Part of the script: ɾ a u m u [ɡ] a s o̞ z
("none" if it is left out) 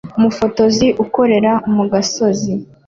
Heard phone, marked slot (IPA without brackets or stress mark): ɡ